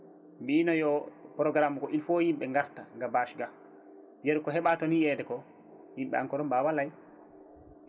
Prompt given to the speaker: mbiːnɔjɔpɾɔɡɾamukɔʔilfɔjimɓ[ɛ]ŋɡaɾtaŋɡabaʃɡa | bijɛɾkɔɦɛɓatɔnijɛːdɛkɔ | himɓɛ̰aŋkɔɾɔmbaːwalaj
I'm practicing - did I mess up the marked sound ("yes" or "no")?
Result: no